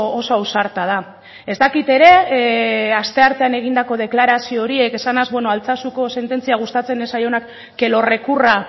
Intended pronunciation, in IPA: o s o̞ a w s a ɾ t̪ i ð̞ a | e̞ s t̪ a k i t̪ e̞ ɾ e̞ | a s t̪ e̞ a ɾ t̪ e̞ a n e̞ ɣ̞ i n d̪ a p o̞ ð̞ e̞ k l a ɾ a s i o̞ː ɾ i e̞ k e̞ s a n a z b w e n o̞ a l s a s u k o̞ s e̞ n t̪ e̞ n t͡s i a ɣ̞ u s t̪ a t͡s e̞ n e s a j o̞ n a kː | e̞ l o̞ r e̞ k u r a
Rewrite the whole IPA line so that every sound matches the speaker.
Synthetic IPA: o s o̞ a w s a ɾ t̪ a ð̞ a | e̞ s t̪ a k i t̪ e̞ ɾ e̞ | a s t̪ e̞ a ɾ t̪ e̞ a n e̞ ɣ̞ i n d̪ a k o̞ ð̞ e̞ k l a ɾ a s i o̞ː ɾ i e̞ k e̞ s a n a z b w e n o̞ a l t͡s a s u k o̞ s e̞ n t̪ e̞ n t͡s i a ɣ̞ u s t̪ a t͡s e̞ n e s a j o̞ n a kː | e̞ l o̞ r e̞ k u r a